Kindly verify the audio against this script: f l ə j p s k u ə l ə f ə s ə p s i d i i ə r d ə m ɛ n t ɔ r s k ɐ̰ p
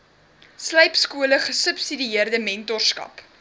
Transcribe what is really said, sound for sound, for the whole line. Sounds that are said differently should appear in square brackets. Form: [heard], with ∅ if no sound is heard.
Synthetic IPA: [s] l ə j p s k u ə l ə [χ] ə s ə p s i d i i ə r d ə m ɛ n t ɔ r s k ɐ̰ p